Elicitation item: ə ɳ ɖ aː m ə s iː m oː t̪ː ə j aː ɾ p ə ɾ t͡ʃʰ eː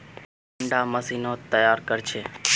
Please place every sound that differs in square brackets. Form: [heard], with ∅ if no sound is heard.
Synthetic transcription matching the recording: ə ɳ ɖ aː m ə s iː [n] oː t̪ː ə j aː ɾ [k] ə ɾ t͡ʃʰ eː